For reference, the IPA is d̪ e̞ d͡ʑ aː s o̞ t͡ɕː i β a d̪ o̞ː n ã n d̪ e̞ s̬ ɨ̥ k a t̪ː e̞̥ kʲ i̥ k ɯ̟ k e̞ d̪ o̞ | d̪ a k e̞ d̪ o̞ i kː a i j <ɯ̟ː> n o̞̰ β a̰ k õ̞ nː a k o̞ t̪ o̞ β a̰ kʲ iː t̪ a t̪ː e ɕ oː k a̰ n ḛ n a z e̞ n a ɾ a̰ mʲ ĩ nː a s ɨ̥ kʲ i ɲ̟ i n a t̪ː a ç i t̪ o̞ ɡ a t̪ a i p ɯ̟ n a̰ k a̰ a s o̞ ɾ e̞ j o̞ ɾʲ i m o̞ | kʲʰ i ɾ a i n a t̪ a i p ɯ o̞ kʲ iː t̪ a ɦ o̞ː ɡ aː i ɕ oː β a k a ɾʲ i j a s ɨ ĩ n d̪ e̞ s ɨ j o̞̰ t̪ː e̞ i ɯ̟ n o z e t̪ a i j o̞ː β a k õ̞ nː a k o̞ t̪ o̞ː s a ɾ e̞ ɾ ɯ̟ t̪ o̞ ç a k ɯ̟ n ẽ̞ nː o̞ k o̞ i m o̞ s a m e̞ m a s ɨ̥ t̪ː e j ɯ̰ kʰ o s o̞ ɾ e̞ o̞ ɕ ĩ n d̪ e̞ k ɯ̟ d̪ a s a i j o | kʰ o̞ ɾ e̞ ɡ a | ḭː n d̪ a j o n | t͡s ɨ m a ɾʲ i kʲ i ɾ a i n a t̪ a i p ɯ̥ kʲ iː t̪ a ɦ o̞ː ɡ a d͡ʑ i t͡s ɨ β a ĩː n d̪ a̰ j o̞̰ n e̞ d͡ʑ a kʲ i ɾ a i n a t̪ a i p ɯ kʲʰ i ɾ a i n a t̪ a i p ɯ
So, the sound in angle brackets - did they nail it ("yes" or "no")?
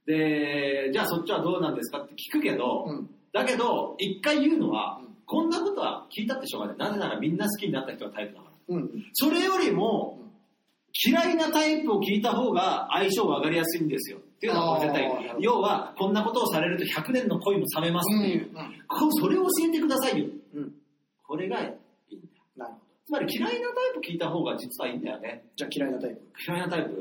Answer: yes